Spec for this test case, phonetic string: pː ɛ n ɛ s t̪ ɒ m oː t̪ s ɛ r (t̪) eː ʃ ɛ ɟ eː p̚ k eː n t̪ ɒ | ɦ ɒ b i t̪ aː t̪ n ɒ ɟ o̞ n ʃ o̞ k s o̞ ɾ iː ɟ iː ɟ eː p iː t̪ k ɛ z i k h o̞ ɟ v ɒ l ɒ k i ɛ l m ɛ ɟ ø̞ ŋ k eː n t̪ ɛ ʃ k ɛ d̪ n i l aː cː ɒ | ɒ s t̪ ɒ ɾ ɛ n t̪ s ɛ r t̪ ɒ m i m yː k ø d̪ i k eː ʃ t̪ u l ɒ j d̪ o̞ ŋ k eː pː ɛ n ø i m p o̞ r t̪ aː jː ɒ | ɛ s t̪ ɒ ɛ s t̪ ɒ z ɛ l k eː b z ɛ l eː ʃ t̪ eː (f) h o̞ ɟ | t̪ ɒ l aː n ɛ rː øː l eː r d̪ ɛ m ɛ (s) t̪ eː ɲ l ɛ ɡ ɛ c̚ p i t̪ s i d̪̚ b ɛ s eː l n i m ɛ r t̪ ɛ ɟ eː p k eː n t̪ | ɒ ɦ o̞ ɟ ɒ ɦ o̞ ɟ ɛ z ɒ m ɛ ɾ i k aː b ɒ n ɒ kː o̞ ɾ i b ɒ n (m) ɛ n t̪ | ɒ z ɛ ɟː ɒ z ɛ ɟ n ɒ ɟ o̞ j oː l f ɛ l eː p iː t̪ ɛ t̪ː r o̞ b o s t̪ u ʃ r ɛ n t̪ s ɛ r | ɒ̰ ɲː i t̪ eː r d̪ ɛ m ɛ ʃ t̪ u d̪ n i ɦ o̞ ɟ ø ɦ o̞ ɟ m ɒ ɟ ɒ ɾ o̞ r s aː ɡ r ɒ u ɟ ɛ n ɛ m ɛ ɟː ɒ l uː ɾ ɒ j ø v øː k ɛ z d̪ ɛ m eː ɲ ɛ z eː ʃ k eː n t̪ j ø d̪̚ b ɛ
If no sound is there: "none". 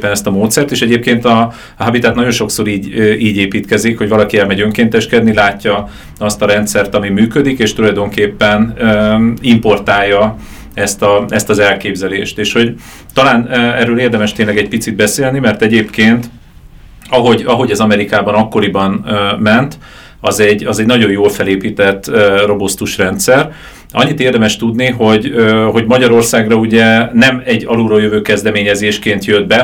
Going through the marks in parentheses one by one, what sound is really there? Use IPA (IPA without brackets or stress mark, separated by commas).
t̪, ʃ, ʃ, m